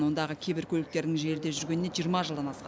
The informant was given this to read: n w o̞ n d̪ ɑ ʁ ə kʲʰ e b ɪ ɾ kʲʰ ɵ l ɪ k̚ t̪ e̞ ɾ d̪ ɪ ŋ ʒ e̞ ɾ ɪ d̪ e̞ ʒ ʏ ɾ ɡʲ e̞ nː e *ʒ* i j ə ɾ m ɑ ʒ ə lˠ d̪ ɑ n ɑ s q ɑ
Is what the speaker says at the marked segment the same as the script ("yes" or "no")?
yes